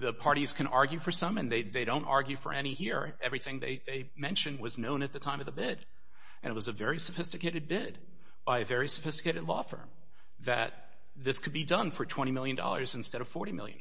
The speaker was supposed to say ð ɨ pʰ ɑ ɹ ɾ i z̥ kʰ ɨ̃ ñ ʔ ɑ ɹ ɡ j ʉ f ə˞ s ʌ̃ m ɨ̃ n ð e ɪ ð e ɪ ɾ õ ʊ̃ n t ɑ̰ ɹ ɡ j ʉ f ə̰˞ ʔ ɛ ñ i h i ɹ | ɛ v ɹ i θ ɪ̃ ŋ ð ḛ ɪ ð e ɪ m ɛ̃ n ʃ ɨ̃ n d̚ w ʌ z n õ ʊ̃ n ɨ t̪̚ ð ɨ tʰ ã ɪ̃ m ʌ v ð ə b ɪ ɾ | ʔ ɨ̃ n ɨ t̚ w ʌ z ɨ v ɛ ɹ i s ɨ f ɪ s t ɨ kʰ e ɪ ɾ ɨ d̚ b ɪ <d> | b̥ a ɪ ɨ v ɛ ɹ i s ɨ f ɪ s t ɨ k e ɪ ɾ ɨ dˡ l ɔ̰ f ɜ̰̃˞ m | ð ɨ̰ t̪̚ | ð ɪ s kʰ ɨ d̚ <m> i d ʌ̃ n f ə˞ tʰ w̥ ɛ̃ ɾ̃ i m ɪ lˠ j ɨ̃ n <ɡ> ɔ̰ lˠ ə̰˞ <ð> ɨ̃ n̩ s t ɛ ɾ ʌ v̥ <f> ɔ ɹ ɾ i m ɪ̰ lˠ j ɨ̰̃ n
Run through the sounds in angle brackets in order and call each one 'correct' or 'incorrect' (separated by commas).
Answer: correct, incorrect, incorrect, incorrect, correct